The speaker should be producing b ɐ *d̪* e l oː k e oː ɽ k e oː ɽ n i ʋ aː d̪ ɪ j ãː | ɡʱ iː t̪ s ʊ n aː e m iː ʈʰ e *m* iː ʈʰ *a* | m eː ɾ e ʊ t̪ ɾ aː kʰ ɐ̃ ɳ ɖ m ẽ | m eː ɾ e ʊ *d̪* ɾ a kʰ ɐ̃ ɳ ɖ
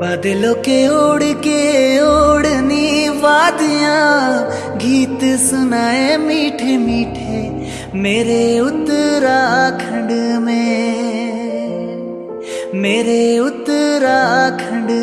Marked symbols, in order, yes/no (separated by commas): yes, yes, no, no